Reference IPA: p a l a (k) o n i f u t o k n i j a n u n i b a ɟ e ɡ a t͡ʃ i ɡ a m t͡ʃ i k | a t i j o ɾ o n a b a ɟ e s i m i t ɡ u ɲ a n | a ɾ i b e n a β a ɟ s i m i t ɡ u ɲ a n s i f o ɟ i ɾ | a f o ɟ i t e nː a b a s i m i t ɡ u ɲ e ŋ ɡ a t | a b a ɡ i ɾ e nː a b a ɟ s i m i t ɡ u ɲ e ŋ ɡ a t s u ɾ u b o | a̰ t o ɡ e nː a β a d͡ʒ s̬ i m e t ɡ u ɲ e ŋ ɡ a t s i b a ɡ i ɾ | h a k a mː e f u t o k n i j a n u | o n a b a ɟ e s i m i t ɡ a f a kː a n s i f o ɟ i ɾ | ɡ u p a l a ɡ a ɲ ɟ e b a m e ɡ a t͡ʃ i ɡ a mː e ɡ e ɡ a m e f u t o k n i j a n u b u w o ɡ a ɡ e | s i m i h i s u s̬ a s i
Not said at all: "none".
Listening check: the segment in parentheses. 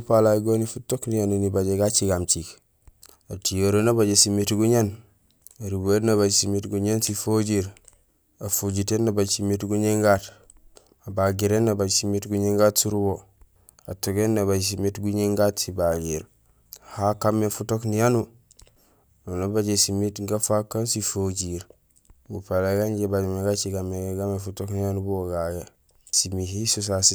ɡ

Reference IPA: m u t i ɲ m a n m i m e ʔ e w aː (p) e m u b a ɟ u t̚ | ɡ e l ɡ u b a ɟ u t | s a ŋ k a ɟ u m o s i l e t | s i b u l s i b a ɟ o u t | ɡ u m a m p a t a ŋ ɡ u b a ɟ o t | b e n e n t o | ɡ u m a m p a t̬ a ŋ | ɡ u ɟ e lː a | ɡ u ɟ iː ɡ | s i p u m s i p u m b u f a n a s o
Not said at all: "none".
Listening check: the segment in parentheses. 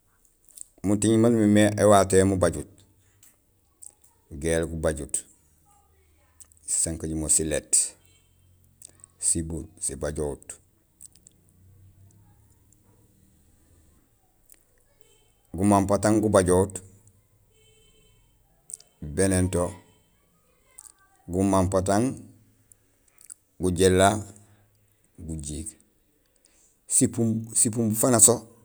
t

